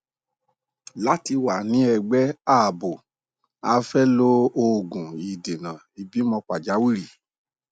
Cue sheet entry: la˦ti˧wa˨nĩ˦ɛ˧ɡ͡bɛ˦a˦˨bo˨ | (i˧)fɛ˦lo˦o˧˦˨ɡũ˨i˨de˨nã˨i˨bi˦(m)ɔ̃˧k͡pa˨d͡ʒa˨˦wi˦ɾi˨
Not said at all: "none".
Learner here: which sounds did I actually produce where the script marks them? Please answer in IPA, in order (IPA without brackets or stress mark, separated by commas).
a˧, m